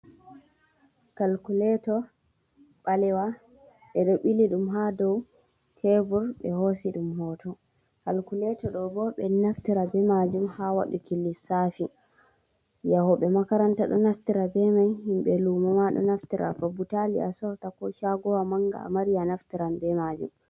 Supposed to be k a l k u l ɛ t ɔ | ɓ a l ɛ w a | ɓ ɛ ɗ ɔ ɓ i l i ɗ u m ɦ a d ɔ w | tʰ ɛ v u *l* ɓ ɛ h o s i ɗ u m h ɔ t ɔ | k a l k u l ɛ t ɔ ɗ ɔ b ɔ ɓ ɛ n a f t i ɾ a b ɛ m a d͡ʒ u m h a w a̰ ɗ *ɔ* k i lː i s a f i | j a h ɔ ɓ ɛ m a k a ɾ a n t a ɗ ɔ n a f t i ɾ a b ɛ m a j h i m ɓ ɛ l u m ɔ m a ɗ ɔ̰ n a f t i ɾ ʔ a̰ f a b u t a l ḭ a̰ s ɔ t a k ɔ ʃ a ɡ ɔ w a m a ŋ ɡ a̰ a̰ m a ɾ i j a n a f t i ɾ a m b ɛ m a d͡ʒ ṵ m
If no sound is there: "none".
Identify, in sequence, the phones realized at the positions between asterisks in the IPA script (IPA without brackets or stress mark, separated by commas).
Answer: ɾ, u